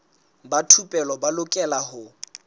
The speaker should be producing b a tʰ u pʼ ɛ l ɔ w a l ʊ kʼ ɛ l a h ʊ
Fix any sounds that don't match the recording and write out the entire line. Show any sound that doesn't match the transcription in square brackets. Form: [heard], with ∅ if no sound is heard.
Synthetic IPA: b a tʰ u pʼ ɛ l ɔ [b] a l ʊ kʼ ɛ l a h ʊ